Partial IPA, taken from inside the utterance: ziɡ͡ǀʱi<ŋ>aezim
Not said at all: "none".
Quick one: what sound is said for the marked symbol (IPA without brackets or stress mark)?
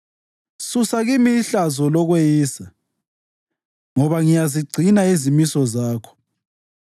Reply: n